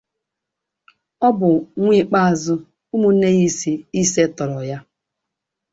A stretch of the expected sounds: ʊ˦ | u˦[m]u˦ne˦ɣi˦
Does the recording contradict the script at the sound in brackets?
no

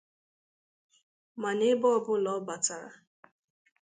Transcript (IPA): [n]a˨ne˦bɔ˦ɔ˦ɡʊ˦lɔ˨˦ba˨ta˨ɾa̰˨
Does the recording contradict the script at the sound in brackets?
yes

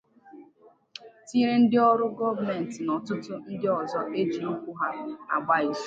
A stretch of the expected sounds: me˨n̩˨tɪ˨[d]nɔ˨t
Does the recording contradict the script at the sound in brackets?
yes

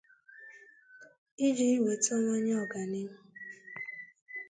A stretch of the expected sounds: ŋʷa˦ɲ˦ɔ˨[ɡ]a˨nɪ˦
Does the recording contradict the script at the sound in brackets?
no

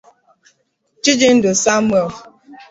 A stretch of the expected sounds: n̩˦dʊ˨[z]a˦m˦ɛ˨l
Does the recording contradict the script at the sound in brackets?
yes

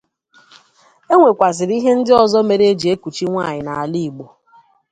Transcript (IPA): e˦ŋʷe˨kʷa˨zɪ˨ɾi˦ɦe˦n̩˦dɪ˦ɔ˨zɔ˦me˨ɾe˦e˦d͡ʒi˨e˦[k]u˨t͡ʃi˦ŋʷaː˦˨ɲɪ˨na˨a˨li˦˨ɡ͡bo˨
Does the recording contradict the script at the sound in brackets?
no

